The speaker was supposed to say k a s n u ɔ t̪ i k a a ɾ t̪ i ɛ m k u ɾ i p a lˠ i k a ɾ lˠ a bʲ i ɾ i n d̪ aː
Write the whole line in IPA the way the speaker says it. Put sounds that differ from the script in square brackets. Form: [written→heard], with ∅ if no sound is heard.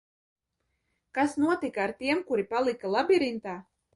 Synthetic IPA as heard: k a s n u ɔ t̪ i k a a ɾ t̪ i ɛ m k u ɾ i p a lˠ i k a [ɾ→∅] lˠ a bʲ i ɾ i n [d̪→t̪] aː